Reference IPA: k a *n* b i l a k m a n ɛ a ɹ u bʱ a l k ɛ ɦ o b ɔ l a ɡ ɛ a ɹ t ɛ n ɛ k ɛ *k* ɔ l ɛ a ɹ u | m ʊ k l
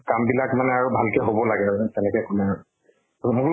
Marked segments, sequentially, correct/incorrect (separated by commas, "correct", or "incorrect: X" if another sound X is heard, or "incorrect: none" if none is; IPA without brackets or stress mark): incorrect: m, correct